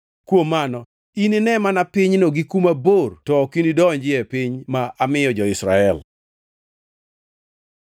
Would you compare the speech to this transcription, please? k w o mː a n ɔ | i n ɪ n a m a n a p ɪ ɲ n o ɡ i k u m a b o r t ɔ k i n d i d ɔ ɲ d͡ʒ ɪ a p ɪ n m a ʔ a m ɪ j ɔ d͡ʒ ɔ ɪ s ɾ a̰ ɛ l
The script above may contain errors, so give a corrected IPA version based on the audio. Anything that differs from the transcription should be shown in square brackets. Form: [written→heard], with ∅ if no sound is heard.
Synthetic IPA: k w o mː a n ɔ | i n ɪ n [a→ɛ] m a n a p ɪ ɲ n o ɡ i k u m a b o r t ɔ k i n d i d ɔ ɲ d͡ʒ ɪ [a→ɛ] p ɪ [n→ɲ] m a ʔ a m ɪ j ɔ d͡ʒ ɔ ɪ s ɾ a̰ ɛ l